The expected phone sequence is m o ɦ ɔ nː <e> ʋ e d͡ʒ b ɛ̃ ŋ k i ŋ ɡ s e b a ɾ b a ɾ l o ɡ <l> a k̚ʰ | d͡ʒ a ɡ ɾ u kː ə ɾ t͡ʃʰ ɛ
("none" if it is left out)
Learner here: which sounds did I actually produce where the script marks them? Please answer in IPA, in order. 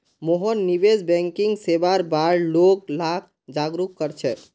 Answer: i, l

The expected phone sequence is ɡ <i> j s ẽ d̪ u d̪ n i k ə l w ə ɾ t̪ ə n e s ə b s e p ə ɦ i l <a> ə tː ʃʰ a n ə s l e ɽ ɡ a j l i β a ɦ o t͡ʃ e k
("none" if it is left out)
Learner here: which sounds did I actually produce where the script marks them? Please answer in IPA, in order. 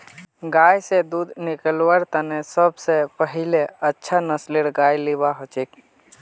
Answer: a, e

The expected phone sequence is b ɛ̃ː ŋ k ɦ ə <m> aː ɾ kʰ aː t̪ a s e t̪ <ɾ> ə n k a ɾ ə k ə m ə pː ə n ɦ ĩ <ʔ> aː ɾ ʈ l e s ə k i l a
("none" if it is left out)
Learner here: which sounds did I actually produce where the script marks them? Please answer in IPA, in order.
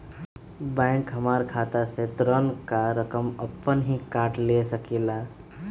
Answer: m, ɾ, k

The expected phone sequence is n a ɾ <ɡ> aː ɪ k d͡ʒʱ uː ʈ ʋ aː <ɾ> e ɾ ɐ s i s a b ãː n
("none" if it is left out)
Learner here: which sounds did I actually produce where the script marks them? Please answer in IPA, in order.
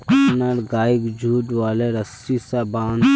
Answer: ɡ, l

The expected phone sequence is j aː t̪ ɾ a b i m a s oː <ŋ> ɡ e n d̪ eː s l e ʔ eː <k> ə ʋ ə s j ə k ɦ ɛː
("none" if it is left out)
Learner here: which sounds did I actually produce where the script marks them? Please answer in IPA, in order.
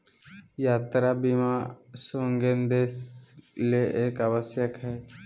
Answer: ŋ, k

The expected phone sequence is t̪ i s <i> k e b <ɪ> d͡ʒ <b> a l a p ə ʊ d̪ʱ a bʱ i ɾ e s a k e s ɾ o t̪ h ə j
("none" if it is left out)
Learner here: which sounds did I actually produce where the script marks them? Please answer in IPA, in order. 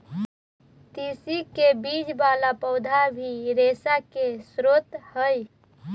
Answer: i, i, b

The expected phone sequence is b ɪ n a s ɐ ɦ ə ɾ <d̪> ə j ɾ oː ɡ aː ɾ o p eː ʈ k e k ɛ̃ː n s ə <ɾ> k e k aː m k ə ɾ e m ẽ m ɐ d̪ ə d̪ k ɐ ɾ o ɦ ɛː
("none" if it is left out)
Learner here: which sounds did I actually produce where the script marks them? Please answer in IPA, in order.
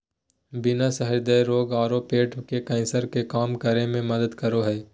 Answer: d̪, ɾ

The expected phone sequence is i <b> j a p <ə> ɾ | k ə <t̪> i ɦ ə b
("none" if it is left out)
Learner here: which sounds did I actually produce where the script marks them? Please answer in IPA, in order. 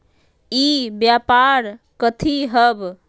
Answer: b, a, t̪ʰ

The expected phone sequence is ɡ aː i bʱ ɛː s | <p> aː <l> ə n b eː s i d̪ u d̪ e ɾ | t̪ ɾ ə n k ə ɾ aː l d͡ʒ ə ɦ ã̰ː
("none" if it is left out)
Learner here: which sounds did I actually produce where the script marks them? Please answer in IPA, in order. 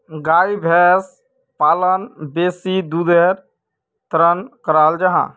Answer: p, l

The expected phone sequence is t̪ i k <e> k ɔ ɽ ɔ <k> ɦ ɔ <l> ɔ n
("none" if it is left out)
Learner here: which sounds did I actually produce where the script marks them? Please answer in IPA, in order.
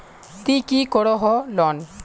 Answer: i, none, l

